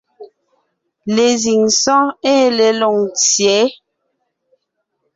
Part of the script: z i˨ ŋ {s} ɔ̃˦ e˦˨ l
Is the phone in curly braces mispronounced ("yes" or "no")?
no